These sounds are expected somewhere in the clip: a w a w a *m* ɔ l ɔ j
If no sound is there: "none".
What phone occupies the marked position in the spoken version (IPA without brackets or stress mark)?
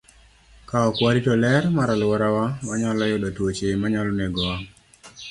ɲ